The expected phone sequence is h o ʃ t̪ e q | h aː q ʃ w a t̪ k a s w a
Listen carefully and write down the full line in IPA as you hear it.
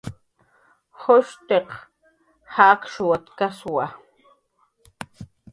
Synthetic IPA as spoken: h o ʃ t̪ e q | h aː k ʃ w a t̪ k a s w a